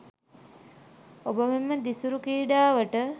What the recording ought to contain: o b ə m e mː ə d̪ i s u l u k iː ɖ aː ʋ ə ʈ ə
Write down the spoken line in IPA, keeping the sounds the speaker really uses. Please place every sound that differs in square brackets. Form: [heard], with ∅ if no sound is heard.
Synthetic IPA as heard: o b ə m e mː ə d̪ i s u [ɾ] u k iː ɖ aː ʋ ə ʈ ə